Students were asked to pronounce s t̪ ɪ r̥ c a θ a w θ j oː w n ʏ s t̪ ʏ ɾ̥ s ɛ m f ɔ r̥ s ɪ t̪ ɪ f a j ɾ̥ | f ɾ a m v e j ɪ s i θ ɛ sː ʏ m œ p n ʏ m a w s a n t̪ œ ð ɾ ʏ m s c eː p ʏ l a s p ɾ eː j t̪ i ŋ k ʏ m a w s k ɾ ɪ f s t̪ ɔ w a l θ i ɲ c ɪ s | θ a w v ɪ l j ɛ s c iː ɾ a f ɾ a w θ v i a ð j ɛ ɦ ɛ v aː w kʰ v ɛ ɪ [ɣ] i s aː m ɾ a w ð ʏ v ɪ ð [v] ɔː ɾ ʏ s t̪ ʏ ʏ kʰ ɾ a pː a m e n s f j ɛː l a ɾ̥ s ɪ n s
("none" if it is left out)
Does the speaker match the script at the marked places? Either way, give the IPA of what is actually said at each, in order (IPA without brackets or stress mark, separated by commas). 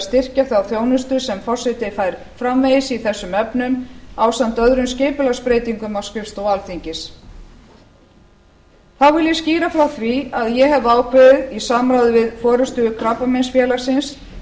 ð, f